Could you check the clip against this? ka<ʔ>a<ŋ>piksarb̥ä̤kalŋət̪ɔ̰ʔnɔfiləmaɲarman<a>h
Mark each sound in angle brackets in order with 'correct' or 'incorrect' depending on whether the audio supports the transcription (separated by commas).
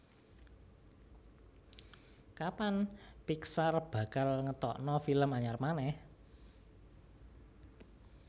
incorrect, incorrect, incorrect